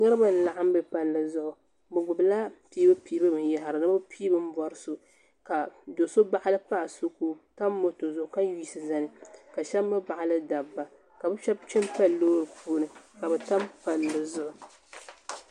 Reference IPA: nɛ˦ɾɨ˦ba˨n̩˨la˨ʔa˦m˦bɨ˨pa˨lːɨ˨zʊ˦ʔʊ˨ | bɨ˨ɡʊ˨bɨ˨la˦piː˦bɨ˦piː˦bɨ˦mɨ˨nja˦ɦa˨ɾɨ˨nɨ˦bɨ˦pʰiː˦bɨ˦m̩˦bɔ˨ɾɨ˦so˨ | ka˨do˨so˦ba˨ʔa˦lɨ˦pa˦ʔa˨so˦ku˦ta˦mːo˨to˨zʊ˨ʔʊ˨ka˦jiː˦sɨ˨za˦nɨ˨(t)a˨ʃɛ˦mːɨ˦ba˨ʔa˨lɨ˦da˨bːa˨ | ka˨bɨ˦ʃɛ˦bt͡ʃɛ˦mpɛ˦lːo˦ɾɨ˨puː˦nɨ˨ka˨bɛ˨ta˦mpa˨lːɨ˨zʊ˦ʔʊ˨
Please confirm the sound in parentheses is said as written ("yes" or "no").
no